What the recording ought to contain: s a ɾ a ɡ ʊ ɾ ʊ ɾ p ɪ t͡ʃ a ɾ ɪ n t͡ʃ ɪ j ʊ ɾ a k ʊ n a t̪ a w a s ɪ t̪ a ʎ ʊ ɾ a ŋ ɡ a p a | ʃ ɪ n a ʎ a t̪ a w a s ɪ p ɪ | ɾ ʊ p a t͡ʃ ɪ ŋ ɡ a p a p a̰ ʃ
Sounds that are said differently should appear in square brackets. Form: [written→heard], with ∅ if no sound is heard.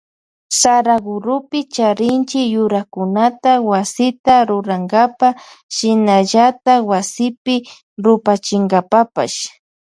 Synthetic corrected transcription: s a ɾ a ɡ ʊ ɾ ʊ [ɾ→∅] p ɪ t͡ʃ a ɾ ɪ n t͡ʃ ɪ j ʊ ɾ a k ʊ n a t̪ a w a s ɪ t̪ a [ʎ→ɾ] ʊ ɾ a ŋ ɡ a p a | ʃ ɪ n a ʎ a t̪ a w a s ɪ p ɪ | ɾ ʊ p a t͡ʃ ɪ ŋ ɡ a p a p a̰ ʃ

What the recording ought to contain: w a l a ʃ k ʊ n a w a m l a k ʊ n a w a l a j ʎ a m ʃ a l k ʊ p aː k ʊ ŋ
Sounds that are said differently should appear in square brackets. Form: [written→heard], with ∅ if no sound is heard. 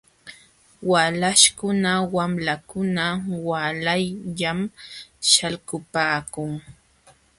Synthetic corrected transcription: w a l a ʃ k ʊ n a w a m l a k ʊ n a w a l a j ʎ a m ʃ a l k ʊ p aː k ʊ ŋ

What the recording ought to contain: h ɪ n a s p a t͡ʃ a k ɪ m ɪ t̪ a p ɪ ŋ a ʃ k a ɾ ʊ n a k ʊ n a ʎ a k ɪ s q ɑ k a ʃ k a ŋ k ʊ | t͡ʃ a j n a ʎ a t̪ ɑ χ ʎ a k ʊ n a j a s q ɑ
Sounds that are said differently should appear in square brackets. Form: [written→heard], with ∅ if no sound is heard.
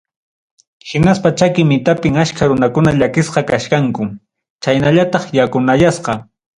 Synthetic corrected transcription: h ɪ n a s p a t͡ʃ a k ɪ m ɪ t̪ a p ɪ ŋ a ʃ k a ɾ ʊ n a k ʊ n a ʎ a k ɪ s q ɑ k a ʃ k a ŋ k ʊ | t͡ʃ a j n a ʎ a t̪ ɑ χ [ʎ→j] a k ʊ n a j a s q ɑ

